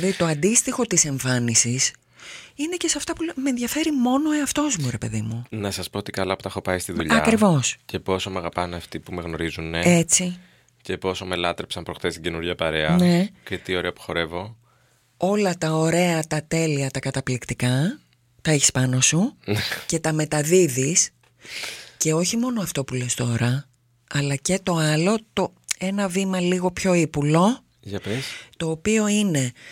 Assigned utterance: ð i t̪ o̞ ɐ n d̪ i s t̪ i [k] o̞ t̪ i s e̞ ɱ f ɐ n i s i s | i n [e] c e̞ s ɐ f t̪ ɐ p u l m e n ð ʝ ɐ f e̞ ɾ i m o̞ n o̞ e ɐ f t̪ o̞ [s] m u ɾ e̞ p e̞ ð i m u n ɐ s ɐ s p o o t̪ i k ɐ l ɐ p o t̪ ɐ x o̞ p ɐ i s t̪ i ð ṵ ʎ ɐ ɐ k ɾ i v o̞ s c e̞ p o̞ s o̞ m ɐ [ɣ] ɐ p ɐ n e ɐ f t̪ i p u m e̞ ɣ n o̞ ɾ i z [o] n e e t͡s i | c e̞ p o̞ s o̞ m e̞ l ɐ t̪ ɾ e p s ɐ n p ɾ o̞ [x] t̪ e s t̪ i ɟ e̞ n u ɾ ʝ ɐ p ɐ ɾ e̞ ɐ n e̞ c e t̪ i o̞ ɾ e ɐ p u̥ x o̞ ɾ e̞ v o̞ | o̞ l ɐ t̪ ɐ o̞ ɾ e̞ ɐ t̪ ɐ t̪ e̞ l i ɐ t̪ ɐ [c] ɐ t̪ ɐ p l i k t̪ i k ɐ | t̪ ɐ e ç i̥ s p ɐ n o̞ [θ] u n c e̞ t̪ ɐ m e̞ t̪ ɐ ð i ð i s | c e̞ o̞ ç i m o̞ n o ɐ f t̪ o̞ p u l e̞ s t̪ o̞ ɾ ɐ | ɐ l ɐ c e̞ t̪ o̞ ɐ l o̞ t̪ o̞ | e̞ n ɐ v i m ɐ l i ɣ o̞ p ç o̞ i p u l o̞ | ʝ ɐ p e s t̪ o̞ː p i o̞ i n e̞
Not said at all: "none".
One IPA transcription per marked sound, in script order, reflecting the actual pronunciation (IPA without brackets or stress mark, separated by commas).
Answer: x, e, z, ɣ, u, x, k, s